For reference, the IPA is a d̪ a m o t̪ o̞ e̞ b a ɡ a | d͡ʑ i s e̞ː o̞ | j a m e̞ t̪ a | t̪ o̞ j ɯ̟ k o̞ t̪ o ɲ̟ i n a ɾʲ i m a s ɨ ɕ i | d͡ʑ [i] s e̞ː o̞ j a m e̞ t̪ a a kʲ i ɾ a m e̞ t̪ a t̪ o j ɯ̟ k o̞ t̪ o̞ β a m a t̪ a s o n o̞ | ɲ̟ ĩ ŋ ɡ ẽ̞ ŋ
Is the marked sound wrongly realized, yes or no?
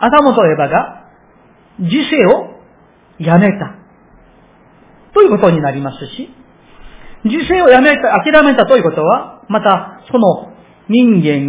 no